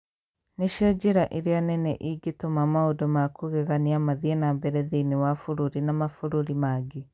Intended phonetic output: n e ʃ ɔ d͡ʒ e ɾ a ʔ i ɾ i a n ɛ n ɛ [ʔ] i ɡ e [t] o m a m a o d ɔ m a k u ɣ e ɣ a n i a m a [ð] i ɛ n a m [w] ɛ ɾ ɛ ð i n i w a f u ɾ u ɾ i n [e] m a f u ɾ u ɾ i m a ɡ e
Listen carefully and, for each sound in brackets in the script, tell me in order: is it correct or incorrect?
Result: correct, correct, correct, incorrect: b, incorrect: a

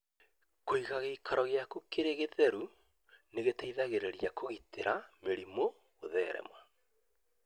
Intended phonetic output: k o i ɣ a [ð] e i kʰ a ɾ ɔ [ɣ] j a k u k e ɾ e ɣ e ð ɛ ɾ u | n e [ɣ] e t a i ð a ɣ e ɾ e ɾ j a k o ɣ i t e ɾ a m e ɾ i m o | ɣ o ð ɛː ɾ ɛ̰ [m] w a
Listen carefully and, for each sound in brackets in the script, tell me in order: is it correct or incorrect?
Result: incorrect: ɣ, correct, correct, correct

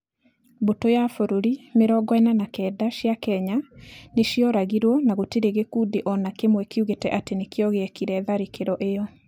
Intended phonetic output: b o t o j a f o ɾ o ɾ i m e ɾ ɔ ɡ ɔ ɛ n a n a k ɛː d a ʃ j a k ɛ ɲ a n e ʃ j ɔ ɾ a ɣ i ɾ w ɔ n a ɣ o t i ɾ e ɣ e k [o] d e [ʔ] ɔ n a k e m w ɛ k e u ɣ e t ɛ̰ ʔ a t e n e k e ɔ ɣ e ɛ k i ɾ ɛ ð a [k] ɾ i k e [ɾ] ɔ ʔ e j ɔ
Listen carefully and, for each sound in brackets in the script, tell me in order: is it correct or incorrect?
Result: incorrect: u, correct, incorrect: none, correct

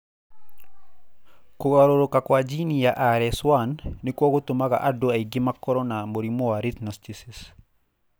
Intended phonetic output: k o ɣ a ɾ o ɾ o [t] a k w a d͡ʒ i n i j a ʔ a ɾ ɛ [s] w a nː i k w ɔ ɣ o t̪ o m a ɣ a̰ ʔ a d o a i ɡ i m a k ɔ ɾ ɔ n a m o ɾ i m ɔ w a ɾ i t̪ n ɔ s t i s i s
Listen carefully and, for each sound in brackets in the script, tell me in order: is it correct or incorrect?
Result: incorrect: k, correct

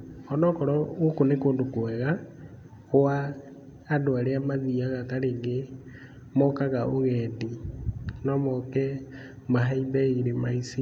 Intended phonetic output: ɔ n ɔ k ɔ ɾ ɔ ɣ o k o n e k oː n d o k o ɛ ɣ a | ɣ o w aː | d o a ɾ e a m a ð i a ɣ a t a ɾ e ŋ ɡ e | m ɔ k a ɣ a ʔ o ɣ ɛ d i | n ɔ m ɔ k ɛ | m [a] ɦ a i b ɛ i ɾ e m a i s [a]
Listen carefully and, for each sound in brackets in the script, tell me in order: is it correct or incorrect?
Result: correct, incorrect: i

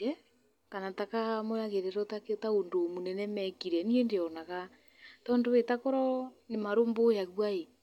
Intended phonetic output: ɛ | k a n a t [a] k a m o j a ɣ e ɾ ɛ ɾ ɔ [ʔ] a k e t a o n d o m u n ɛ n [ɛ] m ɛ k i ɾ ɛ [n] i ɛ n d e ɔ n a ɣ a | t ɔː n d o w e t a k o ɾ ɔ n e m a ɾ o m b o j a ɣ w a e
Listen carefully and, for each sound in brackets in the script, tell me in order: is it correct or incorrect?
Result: correct, incorrect: t, correct, correct

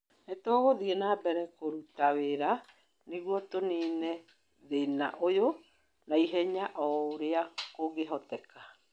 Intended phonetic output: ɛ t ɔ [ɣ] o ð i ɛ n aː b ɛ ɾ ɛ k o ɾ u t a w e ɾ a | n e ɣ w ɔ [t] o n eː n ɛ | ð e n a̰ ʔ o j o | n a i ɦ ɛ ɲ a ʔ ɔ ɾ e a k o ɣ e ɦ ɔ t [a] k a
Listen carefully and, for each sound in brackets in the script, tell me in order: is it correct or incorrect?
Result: correct, correct, incorrect: ɛ

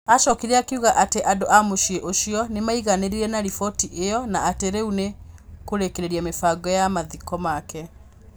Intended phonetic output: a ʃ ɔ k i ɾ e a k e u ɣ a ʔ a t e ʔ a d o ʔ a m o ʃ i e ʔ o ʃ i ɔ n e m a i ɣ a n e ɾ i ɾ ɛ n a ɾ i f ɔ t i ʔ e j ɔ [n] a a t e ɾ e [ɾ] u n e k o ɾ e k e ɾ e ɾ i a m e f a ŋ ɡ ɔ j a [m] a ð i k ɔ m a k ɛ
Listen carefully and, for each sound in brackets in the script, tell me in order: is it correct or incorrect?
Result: correct, incorrect: none, correct

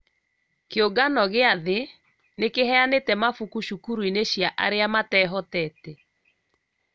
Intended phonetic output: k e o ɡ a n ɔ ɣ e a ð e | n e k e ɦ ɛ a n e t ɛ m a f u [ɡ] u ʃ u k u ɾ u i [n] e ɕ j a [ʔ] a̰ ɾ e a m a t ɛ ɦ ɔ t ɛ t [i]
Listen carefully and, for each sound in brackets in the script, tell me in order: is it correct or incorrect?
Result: incorrect: k, correct, correct, incorrect: ɛ

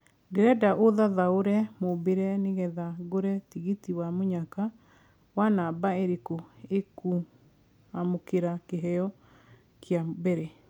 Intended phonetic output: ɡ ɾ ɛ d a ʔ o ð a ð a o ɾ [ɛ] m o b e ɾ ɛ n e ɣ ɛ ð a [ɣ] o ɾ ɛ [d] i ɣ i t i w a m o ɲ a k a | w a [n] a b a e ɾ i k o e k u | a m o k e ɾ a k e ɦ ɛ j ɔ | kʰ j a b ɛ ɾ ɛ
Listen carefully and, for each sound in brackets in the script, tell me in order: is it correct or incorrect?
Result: correct, correct, incorrect: t, correct

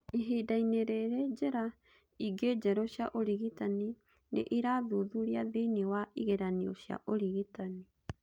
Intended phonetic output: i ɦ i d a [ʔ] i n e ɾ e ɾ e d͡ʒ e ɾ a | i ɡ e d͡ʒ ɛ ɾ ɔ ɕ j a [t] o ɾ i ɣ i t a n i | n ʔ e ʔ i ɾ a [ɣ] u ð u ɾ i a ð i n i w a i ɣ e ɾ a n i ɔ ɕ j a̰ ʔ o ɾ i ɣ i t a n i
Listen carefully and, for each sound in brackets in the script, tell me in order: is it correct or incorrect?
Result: incorrect: none, incorrect: ʔ, incorrect: ð

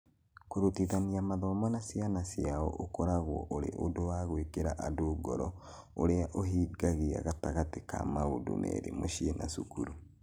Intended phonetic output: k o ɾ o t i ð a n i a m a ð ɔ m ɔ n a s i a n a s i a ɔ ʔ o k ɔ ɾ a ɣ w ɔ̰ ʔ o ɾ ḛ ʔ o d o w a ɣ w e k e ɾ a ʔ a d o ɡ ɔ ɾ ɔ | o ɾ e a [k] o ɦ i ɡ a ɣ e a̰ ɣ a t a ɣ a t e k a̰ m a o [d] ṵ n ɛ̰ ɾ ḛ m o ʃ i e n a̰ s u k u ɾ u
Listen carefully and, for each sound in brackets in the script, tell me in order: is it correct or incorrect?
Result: incorrect: ʔ, correct

